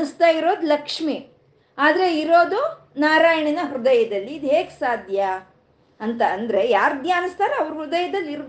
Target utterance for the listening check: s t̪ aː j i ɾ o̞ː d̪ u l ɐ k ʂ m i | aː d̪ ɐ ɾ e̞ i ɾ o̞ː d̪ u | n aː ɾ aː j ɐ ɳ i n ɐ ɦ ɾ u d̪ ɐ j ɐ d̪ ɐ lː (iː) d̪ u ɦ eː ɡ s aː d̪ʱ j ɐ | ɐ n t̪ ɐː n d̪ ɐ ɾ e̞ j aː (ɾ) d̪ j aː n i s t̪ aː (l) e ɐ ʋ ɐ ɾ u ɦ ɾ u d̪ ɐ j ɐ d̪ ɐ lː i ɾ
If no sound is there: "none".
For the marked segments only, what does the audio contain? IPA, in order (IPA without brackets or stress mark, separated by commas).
iː, ɾ, ɾ